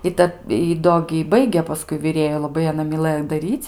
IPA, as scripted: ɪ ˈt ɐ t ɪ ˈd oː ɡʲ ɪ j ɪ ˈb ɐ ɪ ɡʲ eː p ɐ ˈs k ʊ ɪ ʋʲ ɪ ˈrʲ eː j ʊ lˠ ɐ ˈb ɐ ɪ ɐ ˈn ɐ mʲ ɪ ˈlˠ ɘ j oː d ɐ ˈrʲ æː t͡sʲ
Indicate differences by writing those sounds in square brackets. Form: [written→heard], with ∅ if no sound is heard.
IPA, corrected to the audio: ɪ ˈt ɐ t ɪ ˈd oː ɡʲ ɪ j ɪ ˈb ɐ ɪ ɡʲ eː p ɐ ˈs k ʊ ɪ ʋʲ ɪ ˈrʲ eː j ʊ lˠ ɐ ˈb ɐ ɪ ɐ ˈn ɐ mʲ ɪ ˈlˠ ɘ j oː d ɐ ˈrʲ [æː→iː] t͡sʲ